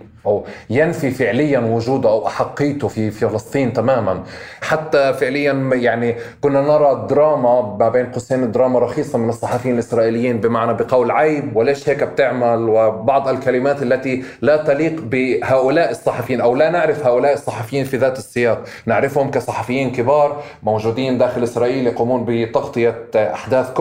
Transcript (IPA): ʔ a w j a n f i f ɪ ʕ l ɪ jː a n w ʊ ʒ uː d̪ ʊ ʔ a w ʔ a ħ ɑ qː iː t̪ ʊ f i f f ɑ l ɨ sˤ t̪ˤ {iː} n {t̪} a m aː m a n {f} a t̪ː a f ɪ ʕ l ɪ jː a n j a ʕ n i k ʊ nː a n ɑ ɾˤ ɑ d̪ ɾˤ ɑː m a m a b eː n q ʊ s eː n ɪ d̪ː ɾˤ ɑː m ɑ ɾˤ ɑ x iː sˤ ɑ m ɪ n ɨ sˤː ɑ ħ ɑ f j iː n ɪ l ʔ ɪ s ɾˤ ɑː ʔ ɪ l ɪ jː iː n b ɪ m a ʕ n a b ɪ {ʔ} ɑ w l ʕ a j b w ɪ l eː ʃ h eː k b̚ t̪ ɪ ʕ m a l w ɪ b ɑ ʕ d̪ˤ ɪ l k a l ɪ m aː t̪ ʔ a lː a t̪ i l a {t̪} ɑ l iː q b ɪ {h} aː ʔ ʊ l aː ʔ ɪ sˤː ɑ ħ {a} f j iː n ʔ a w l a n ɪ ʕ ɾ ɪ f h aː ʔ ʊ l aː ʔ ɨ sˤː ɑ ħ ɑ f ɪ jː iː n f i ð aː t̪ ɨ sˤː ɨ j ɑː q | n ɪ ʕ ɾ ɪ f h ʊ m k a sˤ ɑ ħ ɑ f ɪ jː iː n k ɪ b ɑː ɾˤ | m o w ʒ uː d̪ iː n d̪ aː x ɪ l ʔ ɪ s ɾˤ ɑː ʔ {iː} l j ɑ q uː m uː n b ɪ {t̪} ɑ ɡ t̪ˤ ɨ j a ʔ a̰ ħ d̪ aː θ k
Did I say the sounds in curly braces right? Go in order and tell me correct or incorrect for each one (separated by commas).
correct, correct, incorrect, incorrect, correct, correct, incorrect, correct, correct